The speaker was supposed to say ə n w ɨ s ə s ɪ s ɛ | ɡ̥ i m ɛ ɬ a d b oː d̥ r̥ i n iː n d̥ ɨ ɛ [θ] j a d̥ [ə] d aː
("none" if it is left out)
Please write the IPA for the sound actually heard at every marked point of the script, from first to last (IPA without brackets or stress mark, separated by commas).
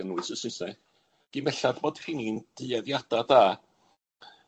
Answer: ð, a